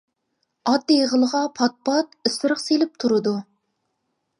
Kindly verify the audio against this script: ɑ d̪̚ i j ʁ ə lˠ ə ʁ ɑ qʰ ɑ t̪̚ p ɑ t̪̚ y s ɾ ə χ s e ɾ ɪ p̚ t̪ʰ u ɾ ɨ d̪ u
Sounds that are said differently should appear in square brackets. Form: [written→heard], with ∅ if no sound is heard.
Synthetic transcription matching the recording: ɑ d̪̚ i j ʁ ə lˠ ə ʁ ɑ [qʰ→pʰ] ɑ t̪̚ p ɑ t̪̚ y s ɾ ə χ s e [ɾ→l] ɪ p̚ t̪ʰ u ɾ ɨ d̪ u